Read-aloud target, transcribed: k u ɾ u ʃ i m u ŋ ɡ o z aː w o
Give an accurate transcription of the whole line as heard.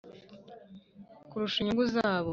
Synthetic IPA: k u ɾ u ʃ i ɲ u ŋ ɡ u z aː β o

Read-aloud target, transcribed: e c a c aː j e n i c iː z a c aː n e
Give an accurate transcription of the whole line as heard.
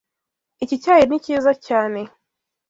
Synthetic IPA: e c i c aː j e n i c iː z a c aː n e

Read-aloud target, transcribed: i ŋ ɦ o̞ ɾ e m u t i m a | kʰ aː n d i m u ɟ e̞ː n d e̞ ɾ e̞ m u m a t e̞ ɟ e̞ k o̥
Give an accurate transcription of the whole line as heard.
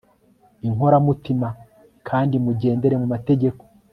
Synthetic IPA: i ŋ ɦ o̞ ɾ a m u t i m a | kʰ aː n d i m u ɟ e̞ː n d e̞ ɾ e̞ m u m a t e̞ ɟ e̞ k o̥

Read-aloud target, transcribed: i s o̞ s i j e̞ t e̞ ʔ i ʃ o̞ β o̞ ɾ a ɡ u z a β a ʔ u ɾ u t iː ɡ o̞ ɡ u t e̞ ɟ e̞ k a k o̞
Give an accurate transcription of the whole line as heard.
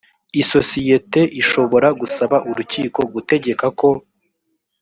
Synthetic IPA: i s o̞ s i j e̞ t e̞ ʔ i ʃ o̞ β o̞ ɾ a ɡ u s a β a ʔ u ɾ u c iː k o̞ ɡ u t e̞ ɟ e̞ k a k o̞

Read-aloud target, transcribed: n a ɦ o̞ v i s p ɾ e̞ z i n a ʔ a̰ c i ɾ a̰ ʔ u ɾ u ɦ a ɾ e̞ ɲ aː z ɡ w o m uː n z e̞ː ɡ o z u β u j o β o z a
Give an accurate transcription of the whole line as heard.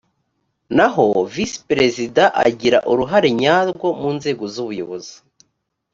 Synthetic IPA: n a ɦ o̞ v i s p ɾ e̞ z i d a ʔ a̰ ɟ i ɾ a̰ ʔ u ɾ u ɦ a ɾ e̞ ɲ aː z ɡ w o m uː n z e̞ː ɡ o z u β u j o β o z i

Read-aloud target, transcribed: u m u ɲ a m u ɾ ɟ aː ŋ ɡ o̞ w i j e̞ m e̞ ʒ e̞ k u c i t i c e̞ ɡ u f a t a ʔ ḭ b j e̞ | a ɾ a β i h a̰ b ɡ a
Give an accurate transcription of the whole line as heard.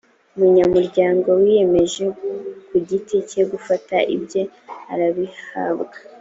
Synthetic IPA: u m u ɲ a m u ɾ ɟ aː ŋ ɡ o̞ w i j e̞ m e̞ ʒ e̞ k u ɟ i t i c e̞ ɡ u f a t a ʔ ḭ b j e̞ | a ɾ a β i h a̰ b ɡ a

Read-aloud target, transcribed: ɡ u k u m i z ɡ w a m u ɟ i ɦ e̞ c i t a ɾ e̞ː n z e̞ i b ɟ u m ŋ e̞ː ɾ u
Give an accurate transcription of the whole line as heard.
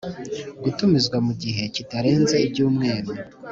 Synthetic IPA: ɡ u t u m i z ɡ w a m u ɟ i ɦ e̞ c i t a ɾ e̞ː n z e̞ i b ɟ uː m ŋ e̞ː ɾ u

